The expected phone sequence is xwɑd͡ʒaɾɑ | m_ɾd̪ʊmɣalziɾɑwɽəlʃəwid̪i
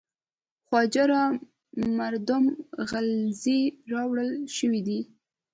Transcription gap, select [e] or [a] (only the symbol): a